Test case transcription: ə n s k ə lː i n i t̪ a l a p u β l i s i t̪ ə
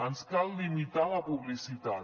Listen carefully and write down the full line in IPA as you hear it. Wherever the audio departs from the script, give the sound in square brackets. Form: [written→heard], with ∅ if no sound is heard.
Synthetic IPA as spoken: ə n s k [ə→a] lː i [n→m] i t̪ a l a p u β l i s i t̪ [ə→a]